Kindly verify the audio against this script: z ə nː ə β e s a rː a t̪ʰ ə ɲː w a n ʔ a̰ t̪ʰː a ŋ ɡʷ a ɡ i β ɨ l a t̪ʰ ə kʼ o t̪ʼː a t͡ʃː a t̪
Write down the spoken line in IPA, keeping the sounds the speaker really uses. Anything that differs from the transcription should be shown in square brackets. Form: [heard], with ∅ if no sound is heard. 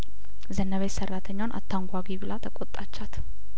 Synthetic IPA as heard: z ə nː ə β e s [ə] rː a t̪ʰ ə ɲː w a n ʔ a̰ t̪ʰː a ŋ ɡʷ a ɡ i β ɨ l a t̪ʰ ə kʼ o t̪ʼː a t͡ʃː a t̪

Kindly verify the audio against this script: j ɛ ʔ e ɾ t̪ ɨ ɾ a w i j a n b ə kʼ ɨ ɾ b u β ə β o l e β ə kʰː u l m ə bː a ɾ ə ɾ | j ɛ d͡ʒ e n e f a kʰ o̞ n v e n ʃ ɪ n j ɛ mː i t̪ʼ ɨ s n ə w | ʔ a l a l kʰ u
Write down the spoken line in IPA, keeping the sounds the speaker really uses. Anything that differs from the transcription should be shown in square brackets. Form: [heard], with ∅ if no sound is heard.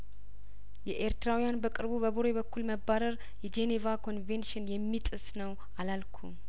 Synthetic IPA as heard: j ɛ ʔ e ɾ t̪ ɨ ɾ a w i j a n b ə kʼ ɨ ɾ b u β ə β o [ɾ] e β ə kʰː u l m ə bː a ɾ ə ɾ | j ɛ d͡ʒ e n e [v] a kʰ o̞ n v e n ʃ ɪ n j ɛ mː i t̪ʼ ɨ s n ə w | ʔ a l a l kʰ u

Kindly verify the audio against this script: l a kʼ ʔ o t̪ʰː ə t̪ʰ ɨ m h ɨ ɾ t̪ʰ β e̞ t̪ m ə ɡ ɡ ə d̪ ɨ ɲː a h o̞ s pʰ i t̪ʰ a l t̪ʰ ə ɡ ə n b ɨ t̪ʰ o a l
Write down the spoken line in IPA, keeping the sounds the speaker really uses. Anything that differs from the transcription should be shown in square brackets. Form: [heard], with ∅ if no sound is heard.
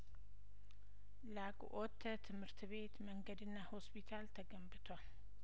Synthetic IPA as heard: l a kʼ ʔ o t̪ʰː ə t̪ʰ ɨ m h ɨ ɾ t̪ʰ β e̞ t̪ m ə [ŋ] ɡ ə d̪ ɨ [nː] a h o̞ s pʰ i t̪ʰ a l t̪ʰ ə ɡ ə [m] b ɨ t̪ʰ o a l

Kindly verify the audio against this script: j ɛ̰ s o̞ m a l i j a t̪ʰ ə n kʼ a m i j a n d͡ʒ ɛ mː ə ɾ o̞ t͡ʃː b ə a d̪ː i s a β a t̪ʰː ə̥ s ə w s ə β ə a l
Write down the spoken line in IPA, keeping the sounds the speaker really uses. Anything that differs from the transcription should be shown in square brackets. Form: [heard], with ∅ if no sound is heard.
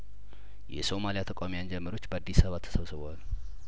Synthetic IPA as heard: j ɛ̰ s o̞ m a l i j a t̪ʰ ə [∅] kʼ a m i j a n d͡ʒ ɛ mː ə ɾ o̞ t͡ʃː b ə a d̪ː i s a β a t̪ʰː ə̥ s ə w s ə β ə a l

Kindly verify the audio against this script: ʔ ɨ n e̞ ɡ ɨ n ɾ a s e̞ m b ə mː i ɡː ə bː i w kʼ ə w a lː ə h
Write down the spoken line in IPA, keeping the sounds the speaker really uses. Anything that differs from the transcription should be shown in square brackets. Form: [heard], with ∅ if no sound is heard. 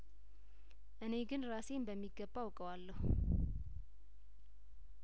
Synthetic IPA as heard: ʔ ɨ n e̞ ɡ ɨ n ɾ a s e̞ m b ə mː i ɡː ə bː [a] w kʼ ə w a lː ə h

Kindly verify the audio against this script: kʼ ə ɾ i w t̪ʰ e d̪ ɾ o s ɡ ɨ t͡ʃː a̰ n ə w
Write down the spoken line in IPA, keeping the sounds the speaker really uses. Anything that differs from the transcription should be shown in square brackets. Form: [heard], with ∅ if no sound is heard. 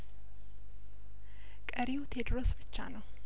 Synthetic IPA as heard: kʼ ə ɾ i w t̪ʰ e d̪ ɾ o s [b] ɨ t͡ʃː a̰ n ə w

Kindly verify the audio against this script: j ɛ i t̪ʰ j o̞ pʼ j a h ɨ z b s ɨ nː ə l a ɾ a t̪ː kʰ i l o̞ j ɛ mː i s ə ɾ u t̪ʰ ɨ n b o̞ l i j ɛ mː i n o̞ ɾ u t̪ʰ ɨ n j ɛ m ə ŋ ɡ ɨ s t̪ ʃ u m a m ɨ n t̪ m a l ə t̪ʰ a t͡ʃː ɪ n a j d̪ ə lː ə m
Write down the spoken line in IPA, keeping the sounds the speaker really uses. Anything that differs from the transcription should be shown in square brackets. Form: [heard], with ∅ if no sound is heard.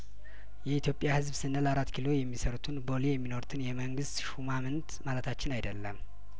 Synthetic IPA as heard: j ɛ i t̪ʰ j o̞ pʼ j a h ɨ z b s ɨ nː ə l a ɾ a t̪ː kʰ i l o̞ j ɛ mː i s ə ɾ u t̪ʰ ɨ n b o̞ l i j ɛ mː i n o̞ ɾ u t̪ʰ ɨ n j ɛ m ə ŋ ɡ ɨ s t̪ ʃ u m a m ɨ n t̪ m a l ə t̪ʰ a t͡ʃː ɪ n a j d̪ ə lː ə m

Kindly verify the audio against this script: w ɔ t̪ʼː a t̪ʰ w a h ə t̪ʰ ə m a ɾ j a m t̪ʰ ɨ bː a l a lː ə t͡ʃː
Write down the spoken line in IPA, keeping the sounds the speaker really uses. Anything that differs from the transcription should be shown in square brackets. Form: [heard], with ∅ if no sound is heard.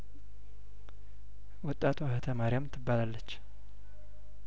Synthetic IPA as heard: w ɔ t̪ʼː a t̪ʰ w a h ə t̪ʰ ə m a ɾ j a m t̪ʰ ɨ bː a l a lː ə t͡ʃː

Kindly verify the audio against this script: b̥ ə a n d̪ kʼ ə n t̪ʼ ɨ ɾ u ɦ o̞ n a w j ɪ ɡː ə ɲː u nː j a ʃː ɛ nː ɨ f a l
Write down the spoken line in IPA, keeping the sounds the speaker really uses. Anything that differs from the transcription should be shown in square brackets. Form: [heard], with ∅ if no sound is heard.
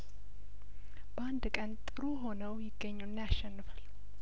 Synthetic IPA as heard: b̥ ə a n d̪ kʼ ə n t̪ʼ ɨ ɾ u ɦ o̞ n [ə] w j ɪ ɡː ə ɲː u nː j a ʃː ɛ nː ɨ f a l

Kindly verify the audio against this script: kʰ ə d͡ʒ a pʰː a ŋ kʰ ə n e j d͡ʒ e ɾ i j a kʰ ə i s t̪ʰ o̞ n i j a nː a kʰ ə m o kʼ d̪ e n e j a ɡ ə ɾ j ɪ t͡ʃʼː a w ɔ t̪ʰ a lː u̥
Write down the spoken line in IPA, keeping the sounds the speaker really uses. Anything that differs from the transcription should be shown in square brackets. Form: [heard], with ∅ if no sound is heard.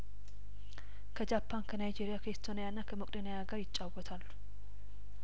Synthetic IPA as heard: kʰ ə d͡ʒ a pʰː a [n] kʰ ə n [a] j d͡ʒ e ɾ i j a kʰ ə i s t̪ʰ o̞ n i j a nː a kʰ ə m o kʼ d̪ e n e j a ɡ ə ɾ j ɪ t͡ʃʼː a w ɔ t̪ʰ a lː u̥

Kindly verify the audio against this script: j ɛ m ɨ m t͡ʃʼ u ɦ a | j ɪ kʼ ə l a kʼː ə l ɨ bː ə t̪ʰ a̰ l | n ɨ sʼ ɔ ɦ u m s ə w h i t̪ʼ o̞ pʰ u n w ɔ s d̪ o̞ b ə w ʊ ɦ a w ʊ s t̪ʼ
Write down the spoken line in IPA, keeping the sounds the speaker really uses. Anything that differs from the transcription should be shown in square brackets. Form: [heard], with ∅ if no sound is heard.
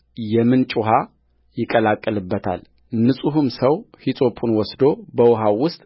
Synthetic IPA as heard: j ɛ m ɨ [n] t͡ʃʼ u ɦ a | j ɪ kʼ ə l a kʼː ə l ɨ bː ə t̪ʰ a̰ l | n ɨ sʼ [u] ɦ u m s ə w h i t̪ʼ o̞ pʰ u n w ɔ s d̪ o̞ b ə w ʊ ɦ a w ʊ s t̪ʼ

